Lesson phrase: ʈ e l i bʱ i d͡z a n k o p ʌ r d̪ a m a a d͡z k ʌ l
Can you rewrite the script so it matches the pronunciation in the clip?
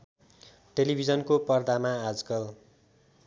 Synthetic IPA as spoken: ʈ e l i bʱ i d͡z ʌ n k o p ʌ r d̪ a m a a d͡z k ʌ l